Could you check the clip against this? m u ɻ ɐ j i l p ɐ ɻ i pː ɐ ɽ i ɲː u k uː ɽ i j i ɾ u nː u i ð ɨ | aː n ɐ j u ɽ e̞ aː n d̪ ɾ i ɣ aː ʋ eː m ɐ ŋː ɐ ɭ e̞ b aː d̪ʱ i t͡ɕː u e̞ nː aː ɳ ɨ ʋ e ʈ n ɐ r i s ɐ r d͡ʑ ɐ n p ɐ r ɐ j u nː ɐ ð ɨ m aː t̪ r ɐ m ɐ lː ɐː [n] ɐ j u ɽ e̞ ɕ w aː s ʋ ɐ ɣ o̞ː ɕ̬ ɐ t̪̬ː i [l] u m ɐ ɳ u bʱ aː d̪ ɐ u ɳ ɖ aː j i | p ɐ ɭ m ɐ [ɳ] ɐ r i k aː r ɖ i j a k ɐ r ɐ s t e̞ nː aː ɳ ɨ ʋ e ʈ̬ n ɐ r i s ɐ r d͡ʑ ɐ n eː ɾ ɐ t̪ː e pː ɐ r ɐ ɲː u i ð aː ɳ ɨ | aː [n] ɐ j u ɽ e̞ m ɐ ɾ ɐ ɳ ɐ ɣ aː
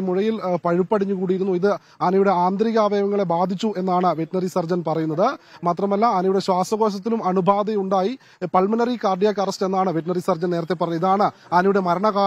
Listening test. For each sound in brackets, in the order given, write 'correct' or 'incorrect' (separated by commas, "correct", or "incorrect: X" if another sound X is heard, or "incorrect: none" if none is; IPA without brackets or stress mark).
correct, correct, incorrect: n, correct